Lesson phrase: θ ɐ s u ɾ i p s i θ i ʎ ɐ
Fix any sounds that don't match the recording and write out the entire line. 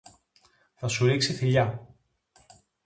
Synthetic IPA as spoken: θ ɐ s u ɾ i k s i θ i ʎ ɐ